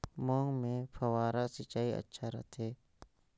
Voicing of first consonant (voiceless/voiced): voiced